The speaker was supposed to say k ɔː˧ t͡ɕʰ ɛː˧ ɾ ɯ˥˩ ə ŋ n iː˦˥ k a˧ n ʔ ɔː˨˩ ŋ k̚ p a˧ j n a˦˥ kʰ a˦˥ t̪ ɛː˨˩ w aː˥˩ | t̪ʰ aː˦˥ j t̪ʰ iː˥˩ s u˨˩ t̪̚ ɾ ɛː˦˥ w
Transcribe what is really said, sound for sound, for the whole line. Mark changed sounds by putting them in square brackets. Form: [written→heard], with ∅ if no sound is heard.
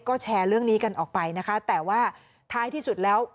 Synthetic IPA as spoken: k [ɔː˧→ɔː˥˩] t͡ɕʰ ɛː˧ ɾ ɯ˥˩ ə ŋ n iː˦˥ k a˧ n ʔ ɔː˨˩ [ŋ→∅] k̚ p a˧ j n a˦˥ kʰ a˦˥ t̪ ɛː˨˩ w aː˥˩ | t̪ʰ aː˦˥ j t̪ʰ iː˥˩ s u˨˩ t̪̚ [ɾ→l] ɛː˦˥ w